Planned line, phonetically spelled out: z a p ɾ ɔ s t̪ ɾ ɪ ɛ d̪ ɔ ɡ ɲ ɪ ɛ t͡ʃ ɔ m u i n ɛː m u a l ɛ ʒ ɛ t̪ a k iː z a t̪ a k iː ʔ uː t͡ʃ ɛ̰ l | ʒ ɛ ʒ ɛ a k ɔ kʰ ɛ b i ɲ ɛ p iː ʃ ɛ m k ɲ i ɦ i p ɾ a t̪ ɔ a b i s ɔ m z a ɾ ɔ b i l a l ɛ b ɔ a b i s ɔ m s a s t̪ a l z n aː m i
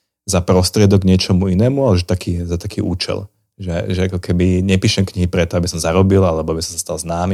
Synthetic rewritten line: z a p ɾ ɔ s t̪ ɾ ɪ ɛ d̪ ɔ ɡ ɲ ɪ ɛ t͡ʃ ɔ m u i n ɛː m u a l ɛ ʒ ɛ t̪ a k iː z a t̪ a k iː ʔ uː t͡ʃ ɛ̰ l | ʒ ɛ ʒ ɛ a k ɔ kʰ ɛ b i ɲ ɛ p iː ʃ ɛ m k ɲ i ɦ i p ɾ ɛ t̪ ɔ a b i s ɔ m z a ɾ ɔ b i l a l ɛ b ɔ a b i s ɔ m s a s t̪ a l z n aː m i